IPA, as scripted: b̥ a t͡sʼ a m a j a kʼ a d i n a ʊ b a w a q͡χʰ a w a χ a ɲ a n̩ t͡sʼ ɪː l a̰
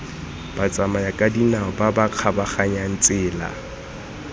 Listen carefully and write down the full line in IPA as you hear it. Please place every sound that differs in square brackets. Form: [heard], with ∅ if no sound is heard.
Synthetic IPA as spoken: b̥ a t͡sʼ a m a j a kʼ a d i n a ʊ b a [b] a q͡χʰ a [b] a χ a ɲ a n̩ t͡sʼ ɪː l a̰